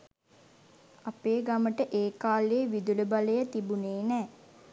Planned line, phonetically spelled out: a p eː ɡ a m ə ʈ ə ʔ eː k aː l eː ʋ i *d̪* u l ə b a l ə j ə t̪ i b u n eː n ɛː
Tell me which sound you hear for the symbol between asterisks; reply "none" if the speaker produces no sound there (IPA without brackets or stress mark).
d̪